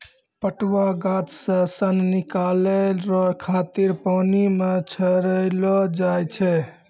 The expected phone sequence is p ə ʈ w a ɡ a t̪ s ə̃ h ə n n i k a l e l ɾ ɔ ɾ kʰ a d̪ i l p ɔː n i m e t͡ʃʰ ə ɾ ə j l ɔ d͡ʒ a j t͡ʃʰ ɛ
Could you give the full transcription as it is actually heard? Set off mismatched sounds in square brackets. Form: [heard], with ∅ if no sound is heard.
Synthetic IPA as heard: p ə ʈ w a ɡ a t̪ s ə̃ [s] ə n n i k a l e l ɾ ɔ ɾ kʰ a [t̪] i [ɾ] p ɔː n i m e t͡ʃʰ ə ɾ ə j l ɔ d͡ʒ a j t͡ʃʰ ɛ